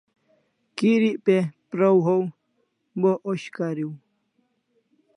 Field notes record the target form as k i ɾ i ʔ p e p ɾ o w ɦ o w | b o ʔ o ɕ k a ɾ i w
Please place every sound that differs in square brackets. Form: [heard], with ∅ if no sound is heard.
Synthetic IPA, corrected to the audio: k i ɾ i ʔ p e p ɾ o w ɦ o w | b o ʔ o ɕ k a ɾ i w